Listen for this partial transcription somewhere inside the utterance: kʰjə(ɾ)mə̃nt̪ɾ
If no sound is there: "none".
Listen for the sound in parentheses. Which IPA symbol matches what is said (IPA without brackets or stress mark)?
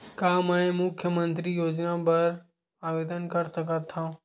none